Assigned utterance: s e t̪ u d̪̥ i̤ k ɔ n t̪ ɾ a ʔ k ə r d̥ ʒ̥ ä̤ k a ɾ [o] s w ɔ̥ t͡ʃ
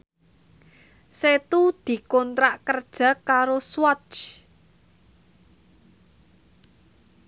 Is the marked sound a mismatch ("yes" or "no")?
no